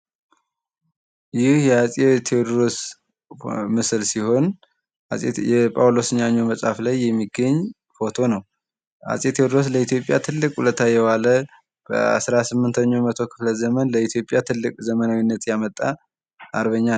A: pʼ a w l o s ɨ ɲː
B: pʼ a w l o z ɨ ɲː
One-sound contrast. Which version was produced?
A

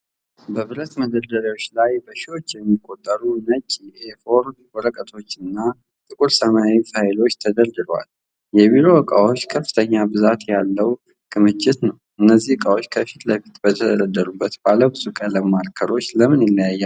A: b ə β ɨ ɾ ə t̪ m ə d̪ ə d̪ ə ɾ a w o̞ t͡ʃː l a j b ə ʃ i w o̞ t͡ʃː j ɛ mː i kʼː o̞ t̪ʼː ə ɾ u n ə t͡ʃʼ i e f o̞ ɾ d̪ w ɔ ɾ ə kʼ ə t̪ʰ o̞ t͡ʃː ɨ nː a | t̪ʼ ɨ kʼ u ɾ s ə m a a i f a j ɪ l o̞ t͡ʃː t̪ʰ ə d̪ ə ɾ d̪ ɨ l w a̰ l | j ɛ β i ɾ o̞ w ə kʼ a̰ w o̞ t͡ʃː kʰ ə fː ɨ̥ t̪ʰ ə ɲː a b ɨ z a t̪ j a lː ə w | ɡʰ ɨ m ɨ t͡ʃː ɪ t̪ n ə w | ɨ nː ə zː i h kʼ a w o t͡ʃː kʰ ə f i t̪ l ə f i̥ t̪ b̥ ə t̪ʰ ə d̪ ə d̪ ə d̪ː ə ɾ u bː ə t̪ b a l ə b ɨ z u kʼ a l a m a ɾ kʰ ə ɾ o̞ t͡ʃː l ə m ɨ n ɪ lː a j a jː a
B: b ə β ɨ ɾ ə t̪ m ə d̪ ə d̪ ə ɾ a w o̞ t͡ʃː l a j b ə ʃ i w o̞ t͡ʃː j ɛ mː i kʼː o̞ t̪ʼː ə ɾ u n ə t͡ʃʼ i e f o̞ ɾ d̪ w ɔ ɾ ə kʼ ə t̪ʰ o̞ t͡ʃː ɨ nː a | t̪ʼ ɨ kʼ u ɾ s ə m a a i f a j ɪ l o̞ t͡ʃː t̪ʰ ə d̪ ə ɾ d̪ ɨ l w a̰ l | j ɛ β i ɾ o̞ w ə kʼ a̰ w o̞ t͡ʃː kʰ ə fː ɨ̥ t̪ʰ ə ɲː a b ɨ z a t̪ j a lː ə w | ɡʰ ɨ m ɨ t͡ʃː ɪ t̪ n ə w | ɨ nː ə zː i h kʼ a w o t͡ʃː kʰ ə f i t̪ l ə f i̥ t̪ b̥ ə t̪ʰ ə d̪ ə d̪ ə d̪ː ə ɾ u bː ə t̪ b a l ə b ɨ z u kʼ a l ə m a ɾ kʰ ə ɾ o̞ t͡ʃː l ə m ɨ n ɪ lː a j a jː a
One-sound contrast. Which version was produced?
B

